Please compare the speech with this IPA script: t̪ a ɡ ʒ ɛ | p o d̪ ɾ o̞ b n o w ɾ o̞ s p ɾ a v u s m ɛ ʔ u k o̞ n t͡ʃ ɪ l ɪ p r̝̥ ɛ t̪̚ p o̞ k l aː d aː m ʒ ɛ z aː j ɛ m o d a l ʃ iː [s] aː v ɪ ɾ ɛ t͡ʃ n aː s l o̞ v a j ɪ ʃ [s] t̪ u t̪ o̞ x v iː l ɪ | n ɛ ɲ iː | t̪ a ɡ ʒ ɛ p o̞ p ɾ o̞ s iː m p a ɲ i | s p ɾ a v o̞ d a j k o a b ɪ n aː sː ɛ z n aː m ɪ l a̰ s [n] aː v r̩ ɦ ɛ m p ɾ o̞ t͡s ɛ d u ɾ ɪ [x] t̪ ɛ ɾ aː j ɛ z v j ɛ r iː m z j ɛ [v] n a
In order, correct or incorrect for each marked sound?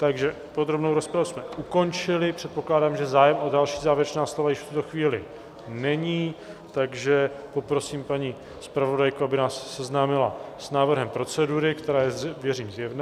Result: incorrect, incorrect, correct, incorrect, correct

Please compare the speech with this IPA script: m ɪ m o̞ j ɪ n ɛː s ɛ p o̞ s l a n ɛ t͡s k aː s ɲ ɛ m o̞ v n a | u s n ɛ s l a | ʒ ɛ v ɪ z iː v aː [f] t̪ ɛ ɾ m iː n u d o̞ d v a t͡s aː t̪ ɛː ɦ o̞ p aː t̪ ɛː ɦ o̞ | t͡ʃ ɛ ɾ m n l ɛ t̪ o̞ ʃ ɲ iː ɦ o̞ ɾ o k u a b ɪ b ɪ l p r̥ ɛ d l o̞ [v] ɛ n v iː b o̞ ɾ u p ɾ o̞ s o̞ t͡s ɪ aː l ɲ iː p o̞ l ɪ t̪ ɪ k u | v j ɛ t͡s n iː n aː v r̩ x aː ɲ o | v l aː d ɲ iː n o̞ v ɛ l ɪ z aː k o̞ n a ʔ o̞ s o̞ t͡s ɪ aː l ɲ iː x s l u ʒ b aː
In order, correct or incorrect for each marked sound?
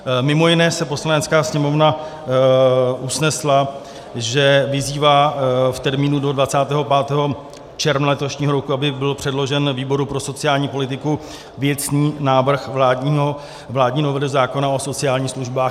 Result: correct, incorrect

